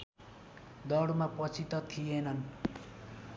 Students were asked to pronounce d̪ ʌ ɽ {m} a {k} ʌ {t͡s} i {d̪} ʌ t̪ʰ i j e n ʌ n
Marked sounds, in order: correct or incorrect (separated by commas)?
correct, incorrect, incorrect, incorrect